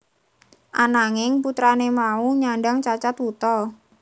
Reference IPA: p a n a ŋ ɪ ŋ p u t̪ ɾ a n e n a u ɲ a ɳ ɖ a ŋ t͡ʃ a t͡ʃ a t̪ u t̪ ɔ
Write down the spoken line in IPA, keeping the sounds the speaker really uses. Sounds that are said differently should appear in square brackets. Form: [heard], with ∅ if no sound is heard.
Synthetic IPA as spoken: [ʔ] a n a ŋ ɪ ŋ p u t̪ ɾ a n e [m] a u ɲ a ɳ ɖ a ŋ t͡ʃ a t͡ʃ a t̪ u t̪ ɔ